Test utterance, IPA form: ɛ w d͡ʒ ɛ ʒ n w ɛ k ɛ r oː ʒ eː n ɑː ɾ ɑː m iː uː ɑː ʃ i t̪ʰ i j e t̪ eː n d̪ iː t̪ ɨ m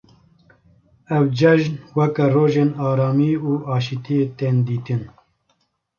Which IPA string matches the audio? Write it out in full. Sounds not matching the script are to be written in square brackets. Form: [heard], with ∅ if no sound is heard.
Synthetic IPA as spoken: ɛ w d͡ʒ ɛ ʒ n w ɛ k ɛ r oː ʒ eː n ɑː ɾ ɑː m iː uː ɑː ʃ i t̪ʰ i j e t̪ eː n d̪ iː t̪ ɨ [n]